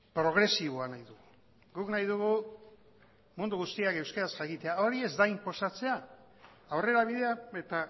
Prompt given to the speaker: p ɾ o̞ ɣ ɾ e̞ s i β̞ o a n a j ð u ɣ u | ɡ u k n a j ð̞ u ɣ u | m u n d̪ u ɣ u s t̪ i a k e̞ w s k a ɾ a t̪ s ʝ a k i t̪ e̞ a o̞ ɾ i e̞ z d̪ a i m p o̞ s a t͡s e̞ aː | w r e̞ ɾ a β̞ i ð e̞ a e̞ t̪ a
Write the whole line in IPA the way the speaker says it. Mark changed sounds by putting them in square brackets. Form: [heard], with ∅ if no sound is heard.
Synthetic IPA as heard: p ɾ o̞ ɣ ɾ e̞ s i β̞ o a n a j ð u ɣ u | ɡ u k n a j ð̞ u ɣ u | m u n d̪ u ɣ u s t̪ i a k e̞ w s k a ɾ a [∅] s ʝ a k i t̪ e̞ a o̞ ɾ i e̞ z d̪ a i m p o̞ s a t͡s e̞ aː | w r e̞ ɾ a β̞ i ð e̞ a e̞ t̪ a